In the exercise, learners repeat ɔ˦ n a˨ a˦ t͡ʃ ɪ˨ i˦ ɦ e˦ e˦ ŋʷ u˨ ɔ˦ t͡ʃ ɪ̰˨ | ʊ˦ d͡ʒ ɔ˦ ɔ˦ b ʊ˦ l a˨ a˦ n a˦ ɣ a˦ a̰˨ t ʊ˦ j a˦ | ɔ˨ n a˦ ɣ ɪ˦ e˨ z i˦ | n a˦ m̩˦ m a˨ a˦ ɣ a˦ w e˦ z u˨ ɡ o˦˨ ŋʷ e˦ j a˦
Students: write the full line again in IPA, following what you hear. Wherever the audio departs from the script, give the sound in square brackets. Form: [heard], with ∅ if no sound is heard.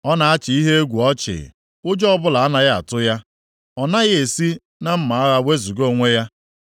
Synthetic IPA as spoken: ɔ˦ n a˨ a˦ t͡ʃ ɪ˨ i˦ ɦ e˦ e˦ [ɡʷ] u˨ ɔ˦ t͡ʃ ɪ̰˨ | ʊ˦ d͡ʒ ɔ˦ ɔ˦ b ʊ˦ l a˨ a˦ n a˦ ɣ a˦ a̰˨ t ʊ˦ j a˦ | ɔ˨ n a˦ ɣ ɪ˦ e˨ [s] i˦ | n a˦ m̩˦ m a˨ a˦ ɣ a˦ w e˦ z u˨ ɡ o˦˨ ŋʷ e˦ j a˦